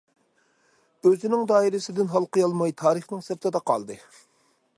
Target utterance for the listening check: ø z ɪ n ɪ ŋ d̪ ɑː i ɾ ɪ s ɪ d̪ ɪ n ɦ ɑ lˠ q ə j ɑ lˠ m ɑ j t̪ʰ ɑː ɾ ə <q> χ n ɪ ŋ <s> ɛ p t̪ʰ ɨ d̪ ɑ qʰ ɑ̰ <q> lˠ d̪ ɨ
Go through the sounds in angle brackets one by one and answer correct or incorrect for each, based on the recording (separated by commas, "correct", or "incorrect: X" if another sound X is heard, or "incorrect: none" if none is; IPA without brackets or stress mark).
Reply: incorrect: none, correct, incorrect: none